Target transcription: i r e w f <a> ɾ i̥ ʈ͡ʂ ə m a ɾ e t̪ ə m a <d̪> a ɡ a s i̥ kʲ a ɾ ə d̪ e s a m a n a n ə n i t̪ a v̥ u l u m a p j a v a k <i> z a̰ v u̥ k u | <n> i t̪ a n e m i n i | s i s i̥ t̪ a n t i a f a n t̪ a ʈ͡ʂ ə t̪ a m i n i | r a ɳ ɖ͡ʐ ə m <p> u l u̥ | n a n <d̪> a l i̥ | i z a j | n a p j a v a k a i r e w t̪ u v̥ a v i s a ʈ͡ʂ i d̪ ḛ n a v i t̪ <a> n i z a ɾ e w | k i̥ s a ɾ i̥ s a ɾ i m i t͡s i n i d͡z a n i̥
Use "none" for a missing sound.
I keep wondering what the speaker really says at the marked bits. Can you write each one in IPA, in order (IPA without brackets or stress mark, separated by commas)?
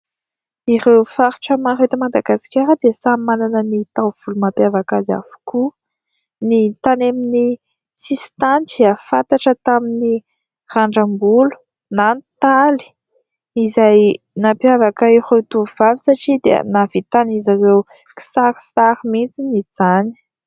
a, d̪, a, n, b, t̪, a